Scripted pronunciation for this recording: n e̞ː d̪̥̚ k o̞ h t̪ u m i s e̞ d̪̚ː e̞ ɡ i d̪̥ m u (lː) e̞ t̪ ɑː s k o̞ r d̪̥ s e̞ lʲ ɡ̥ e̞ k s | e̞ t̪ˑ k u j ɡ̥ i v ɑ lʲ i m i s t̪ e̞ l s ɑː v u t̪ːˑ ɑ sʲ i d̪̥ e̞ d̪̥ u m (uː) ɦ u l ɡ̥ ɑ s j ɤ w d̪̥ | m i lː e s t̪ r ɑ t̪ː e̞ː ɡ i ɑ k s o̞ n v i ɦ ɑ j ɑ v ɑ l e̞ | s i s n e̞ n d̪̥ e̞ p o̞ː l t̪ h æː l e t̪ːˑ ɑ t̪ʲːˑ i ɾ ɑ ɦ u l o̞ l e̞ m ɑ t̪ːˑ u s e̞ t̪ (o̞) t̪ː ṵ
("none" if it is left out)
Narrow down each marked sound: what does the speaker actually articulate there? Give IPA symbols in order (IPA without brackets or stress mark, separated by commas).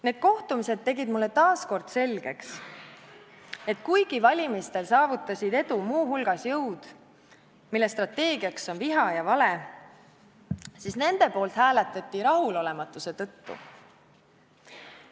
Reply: lː, uː, ɤ̞